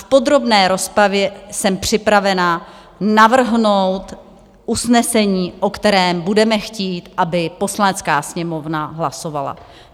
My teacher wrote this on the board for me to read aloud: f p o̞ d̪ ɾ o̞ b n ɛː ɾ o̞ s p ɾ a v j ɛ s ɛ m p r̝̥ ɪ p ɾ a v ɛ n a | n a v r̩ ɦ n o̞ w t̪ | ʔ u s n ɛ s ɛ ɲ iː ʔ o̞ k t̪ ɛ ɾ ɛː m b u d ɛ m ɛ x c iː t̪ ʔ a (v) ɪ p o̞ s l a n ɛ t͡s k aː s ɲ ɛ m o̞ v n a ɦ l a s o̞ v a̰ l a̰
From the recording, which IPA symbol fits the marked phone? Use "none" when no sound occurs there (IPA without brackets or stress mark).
b